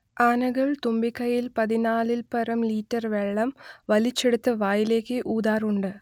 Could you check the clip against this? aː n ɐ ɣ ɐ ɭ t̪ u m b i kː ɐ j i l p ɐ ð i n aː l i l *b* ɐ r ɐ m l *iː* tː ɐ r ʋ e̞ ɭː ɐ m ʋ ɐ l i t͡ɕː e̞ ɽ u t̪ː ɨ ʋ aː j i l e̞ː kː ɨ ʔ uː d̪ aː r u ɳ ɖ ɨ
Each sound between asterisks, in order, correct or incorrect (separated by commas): incorrect, correct